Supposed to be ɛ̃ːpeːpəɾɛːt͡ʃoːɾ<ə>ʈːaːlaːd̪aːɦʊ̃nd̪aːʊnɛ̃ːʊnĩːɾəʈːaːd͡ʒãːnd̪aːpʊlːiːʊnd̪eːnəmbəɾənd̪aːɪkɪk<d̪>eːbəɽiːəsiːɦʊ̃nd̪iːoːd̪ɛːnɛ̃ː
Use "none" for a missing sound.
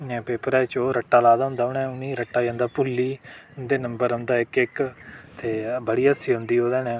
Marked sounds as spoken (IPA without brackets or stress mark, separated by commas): ə, t̪